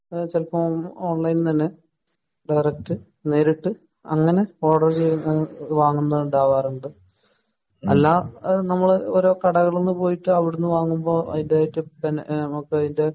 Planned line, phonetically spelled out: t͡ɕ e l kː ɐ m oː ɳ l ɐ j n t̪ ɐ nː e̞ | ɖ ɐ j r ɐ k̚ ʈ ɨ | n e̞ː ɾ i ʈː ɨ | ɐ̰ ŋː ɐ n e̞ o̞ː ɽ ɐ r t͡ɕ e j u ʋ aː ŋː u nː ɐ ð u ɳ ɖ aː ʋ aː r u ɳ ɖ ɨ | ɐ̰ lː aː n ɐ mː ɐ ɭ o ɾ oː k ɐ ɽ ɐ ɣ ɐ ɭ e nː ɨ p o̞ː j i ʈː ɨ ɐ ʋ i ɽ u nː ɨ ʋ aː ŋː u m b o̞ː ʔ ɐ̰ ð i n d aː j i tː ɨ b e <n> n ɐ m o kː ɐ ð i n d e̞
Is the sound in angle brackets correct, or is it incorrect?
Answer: correct